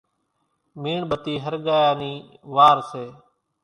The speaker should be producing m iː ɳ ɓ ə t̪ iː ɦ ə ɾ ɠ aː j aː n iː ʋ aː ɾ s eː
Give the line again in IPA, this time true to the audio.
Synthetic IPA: m iː ɳ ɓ ə t̪ iː ɦ ə ɾ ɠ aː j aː n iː ʋ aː ɾ s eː